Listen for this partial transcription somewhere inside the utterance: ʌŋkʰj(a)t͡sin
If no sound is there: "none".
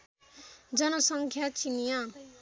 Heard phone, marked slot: a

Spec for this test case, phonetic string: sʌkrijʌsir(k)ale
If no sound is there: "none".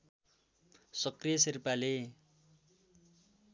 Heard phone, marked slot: p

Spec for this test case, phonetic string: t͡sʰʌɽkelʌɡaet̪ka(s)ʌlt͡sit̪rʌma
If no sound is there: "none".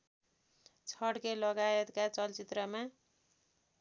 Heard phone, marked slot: t͡s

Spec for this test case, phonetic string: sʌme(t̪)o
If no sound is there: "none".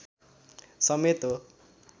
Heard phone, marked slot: t̪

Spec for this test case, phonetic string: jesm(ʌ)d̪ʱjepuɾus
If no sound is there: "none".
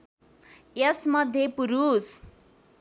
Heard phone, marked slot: ʌ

